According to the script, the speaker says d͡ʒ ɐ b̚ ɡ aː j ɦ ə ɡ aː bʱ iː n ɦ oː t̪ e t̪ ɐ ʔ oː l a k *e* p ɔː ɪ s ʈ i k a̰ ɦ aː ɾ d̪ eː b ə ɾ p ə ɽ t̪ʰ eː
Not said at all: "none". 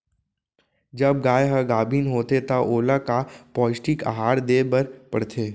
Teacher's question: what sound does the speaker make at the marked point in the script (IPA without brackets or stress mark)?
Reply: a